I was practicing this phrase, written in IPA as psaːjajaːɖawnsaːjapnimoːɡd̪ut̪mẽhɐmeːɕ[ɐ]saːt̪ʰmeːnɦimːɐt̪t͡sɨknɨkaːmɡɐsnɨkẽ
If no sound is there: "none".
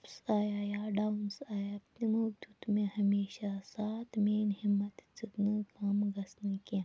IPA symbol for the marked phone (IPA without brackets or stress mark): a